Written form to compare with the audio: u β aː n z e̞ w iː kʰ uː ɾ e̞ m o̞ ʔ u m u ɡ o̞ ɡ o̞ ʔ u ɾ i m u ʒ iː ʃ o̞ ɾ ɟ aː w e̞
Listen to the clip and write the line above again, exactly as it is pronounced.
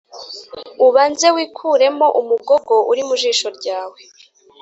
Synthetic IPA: u β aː n z e̞ w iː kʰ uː ɾ e̞ m o̞ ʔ u m u ɡ o̞ ɡ o̞ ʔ u ɾ i m u ʒ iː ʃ o̞ ɾ ɟ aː w e̞